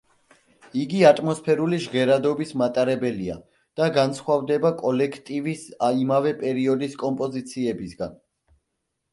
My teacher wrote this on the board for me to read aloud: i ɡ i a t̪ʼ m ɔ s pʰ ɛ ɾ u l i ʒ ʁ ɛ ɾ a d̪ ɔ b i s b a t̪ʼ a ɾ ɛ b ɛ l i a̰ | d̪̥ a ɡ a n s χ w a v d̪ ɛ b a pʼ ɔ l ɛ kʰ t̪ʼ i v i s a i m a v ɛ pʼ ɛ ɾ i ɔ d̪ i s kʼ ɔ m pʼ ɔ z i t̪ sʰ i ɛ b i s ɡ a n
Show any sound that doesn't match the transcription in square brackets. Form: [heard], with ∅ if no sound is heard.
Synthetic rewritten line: i ɡ i a t̪ʼ m ɔ s pʰ ɛ ɾ u l i ʒ ʁ ɛ ɾ a d̪ ɔ b i s [m] a t̪ʼ a ɾ ɛ b ɛ l i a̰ | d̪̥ a ɡ a n s χ w a v d̪ ɛ b a [kʼ] ɔ l ɛ kʰ t̪ʼ i v i s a i m a v ɛ pʼ ɛ ɾ i ɔ d̪ i s kʼ ɔ m pʼ ɔ z i t̪ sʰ i ɛ b i s ɡ a n